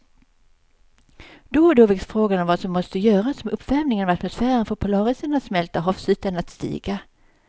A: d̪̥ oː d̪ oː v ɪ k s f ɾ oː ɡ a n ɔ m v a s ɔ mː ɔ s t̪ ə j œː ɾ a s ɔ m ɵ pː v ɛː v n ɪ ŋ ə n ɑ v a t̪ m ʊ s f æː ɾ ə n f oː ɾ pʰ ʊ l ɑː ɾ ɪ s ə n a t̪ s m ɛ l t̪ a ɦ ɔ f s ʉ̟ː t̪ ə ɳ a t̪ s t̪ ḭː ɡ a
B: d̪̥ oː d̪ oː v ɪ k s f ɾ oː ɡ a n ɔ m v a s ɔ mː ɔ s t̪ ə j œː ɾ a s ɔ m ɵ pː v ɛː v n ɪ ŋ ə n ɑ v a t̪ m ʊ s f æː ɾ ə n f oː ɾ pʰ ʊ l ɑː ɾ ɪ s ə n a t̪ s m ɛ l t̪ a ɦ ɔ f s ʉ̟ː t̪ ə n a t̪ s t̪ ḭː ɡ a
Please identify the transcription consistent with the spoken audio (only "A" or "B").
B